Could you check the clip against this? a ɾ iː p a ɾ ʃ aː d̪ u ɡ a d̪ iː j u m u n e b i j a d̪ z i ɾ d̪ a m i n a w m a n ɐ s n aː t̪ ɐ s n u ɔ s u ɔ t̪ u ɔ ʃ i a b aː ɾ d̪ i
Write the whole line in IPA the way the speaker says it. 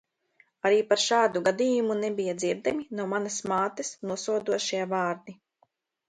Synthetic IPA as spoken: a ɾ iː p a ɾ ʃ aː d̪ u ɡ a d̪ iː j u m u n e b i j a d̪ z i ɾ d̪ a m i n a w m a n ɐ s m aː t̪ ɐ s n u ɔ s u ɔ d̪ u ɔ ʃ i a v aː ɾ d̪ i